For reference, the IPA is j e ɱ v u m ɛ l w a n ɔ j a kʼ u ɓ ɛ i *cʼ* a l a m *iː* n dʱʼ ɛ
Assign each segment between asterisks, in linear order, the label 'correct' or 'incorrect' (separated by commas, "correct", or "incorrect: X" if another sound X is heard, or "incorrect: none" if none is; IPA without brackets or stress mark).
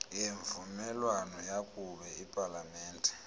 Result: incorrect: pʼ, incorrect: ɛː